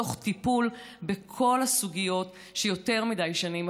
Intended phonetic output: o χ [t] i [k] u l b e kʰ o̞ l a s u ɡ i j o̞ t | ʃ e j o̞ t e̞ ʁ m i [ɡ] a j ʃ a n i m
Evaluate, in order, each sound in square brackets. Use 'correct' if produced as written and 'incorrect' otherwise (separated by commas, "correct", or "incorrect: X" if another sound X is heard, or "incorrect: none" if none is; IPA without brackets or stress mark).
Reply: correct, incorrect: p, incorrect: d